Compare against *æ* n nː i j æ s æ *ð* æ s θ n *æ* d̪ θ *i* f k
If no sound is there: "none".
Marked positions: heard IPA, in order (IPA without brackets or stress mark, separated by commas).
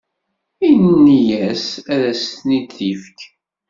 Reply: i, ð, i, i